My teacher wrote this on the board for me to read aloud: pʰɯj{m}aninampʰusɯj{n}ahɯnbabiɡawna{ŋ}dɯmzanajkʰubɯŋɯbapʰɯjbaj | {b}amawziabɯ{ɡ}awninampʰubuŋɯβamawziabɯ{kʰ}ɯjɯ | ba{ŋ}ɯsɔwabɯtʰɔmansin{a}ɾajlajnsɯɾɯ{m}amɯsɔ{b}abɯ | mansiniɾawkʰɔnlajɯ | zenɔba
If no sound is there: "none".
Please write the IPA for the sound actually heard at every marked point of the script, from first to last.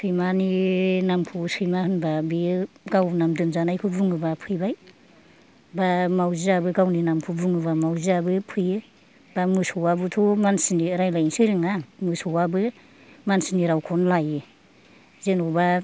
m, m, m, b, ɡ, pʰ, m, i, ŋ, w

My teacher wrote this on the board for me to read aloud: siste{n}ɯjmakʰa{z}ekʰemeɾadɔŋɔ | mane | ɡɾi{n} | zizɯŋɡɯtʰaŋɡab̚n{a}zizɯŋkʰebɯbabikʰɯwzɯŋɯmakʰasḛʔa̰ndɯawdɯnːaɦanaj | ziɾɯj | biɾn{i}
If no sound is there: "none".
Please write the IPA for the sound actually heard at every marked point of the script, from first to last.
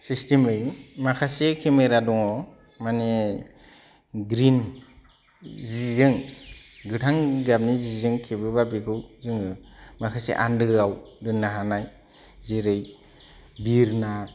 m, s, n, i, a

